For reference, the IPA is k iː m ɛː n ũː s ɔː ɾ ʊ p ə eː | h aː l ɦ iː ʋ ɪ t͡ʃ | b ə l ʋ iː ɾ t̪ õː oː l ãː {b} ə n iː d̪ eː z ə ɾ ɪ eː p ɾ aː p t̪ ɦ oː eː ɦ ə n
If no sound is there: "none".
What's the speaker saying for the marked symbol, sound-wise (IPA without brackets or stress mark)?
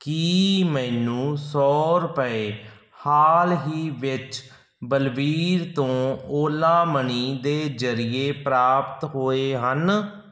m